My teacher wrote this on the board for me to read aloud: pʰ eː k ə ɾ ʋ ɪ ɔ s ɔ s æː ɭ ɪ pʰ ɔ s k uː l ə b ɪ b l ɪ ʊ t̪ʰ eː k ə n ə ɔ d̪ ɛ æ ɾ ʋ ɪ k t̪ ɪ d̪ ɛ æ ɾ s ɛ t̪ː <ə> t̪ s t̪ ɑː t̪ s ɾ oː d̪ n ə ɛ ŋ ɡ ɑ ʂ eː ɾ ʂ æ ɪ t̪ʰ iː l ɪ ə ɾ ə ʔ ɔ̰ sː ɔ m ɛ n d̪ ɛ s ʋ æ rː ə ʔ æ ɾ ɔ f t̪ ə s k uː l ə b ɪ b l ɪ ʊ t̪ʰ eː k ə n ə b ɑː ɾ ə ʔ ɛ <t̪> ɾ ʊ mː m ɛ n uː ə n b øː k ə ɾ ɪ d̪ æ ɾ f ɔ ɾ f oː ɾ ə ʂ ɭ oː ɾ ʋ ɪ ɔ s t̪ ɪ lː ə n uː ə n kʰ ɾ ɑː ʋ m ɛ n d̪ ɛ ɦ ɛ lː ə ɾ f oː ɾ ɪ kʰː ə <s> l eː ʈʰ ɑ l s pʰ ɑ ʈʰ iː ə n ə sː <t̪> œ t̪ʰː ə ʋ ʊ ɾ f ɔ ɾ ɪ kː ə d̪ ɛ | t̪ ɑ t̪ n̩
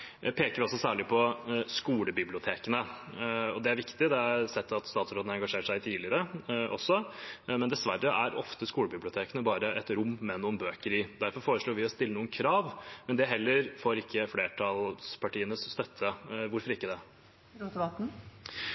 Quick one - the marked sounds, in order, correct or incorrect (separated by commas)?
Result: incorrect, correct, incorrect, correct